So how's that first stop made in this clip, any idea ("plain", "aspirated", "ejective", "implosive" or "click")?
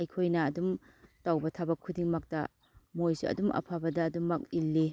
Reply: aspirated